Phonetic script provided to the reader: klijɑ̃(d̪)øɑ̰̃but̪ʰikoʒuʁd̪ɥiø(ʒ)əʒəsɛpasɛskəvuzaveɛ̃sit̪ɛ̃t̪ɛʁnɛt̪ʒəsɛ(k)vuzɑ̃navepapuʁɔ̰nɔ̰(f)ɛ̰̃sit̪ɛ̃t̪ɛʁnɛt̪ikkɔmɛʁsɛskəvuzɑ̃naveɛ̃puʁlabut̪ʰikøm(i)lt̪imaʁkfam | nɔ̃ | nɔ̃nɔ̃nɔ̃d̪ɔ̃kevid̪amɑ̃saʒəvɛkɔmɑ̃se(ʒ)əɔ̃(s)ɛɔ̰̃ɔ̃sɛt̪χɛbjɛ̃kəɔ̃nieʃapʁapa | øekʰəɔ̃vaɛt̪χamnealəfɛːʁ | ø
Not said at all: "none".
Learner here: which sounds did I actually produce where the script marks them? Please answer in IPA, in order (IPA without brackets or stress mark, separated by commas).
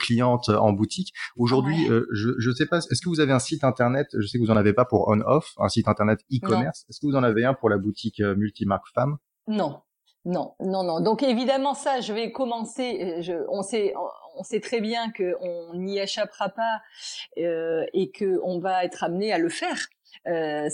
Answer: t̪, ʒ, k, f, y, ʒ, s